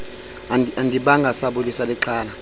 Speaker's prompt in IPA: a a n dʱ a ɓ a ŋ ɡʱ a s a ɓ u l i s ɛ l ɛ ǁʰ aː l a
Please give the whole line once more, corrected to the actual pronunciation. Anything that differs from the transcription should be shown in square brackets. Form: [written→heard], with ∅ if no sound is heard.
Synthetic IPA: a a n dʱ [a→i] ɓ a ŋ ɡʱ a s a ɓ u l i s [ɛ→a] l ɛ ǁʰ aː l a